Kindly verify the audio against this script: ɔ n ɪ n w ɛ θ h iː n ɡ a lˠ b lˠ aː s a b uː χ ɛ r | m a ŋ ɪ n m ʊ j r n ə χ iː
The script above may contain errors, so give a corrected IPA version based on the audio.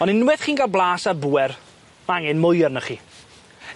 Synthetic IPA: ɔ n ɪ n w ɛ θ χ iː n ɡ a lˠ b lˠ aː s a b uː ɛ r | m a ŋ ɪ n m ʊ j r n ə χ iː